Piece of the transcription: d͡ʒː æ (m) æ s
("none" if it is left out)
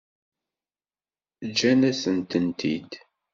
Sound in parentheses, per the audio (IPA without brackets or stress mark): n